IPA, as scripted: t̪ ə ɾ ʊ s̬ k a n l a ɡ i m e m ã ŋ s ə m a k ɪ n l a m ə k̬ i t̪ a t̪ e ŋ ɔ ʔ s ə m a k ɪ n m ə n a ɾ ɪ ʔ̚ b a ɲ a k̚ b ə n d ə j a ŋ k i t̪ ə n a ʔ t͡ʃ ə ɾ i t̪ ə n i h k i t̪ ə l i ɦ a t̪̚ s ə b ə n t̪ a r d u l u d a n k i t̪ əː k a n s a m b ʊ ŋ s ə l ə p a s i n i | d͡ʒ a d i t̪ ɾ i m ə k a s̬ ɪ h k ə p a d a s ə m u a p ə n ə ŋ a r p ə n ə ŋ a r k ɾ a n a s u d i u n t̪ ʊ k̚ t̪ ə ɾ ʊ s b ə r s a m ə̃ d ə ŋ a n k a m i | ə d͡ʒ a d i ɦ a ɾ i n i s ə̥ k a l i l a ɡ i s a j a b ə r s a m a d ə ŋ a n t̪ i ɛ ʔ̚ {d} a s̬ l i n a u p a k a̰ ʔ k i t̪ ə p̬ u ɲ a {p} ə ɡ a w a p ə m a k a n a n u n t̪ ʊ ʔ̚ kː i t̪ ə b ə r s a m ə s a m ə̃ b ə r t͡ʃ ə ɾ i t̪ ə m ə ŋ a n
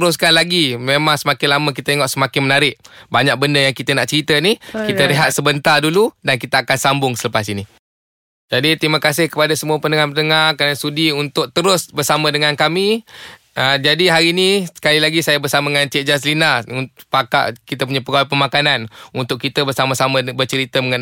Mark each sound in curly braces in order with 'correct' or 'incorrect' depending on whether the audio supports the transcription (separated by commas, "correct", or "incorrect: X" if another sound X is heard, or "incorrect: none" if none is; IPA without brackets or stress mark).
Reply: incorrect: d͡ʒ, correct